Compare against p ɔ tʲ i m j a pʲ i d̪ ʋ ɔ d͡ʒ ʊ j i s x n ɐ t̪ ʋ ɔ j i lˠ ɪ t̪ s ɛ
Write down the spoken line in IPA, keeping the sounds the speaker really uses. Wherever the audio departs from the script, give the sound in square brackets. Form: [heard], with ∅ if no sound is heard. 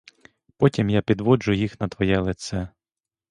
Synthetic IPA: p ɔ tʲ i m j a pʲ i d̪ ʋ ɔ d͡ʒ ʊ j i [∅] x n ɐ t̪ ʋ ɔ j [ɛ] lˠ ɪ t̪ s ɛ